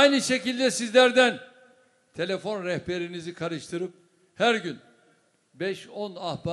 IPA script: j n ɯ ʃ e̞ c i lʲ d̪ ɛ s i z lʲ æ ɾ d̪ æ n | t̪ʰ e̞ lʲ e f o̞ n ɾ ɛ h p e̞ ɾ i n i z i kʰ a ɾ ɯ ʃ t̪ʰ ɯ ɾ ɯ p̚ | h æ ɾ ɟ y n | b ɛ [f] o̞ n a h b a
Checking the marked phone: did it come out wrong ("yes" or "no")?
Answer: yes